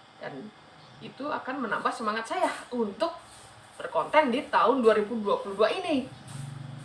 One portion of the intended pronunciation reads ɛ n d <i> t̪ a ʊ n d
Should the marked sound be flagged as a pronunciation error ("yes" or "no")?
no